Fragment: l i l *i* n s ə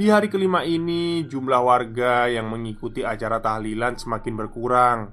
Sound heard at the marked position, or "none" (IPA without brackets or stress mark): a